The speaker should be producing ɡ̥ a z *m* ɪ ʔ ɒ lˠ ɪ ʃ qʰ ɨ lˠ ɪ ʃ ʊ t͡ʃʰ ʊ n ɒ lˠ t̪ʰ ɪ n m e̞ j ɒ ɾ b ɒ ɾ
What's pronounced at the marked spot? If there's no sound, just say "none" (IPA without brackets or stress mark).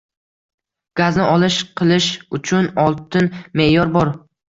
n